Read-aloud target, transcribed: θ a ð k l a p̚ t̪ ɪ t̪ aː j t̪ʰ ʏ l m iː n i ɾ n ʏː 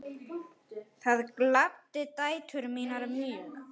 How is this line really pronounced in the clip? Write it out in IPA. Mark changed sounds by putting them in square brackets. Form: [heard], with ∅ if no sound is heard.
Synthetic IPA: θ a ð k l a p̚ t̪ ɪ t̪ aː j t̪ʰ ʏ [ɾ] m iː n [a] ɾ [m] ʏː